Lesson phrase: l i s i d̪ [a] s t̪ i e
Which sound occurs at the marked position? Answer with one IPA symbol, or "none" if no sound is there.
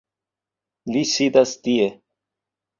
a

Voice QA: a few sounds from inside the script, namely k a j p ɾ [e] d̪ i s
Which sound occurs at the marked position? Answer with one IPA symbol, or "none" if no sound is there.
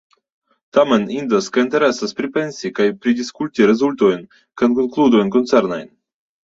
i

